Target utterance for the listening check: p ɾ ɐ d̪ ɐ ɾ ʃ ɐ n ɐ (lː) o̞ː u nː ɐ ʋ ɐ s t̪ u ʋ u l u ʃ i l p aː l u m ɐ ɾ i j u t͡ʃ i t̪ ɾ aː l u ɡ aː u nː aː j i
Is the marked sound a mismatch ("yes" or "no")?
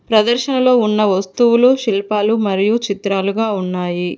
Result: yes